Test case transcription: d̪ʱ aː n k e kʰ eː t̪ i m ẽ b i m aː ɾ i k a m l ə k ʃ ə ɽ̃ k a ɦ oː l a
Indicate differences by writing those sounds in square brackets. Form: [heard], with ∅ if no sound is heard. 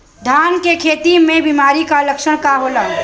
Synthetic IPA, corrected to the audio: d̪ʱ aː n k e kʰ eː t̪ i m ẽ b i m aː ɾ i k a [∅] l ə k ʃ ə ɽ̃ k a ɦ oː l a